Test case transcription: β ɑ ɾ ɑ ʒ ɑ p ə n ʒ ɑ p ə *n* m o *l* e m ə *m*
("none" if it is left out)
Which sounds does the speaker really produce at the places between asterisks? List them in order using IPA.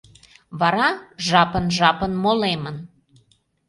n, l, n

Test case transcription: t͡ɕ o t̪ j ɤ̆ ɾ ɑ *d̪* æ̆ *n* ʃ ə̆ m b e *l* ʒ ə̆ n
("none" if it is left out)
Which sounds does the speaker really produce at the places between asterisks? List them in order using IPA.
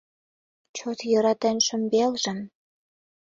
t̪, n, l

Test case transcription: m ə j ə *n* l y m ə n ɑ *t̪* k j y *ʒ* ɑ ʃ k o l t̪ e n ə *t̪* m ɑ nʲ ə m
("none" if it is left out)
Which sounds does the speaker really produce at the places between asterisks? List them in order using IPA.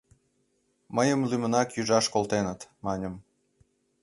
m, none, ʒ, t̪

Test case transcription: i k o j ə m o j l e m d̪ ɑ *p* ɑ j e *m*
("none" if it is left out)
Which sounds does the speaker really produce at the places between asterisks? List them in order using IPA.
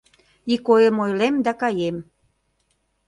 k, m

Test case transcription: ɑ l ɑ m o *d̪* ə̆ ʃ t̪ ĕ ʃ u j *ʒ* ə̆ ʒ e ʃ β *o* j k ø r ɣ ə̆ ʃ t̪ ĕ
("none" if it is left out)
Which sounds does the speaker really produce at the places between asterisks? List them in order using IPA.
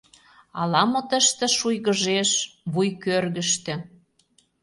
t̪, ɣ, u

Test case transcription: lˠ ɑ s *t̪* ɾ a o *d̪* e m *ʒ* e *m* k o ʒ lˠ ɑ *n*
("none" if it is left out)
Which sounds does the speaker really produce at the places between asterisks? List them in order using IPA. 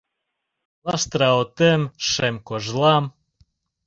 t̪, t̪, ʃ, m, m

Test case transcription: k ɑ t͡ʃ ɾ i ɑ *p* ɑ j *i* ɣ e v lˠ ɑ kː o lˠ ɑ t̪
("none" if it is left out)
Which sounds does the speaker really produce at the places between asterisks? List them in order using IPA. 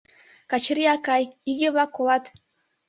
k, i

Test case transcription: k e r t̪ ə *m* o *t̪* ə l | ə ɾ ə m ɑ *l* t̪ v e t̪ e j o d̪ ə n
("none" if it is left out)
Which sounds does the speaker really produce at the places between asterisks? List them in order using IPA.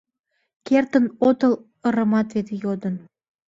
n, t̪, none

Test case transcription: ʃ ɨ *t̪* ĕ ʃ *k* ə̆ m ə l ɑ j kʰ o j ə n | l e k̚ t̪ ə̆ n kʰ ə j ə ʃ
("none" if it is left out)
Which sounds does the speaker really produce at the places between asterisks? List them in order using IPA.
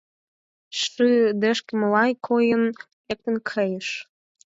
d̪, k

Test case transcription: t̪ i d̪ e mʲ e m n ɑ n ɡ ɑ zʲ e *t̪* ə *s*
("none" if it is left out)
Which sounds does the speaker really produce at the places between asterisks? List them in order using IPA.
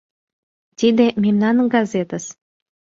t̪, s

